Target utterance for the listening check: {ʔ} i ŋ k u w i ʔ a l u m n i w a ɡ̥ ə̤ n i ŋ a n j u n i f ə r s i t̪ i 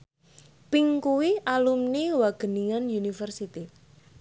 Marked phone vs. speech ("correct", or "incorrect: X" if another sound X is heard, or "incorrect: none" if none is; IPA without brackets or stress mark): incorrect: p